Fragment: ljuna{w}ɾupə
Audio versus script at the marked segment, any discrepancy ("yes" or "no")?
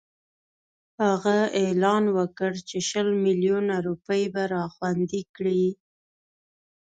yes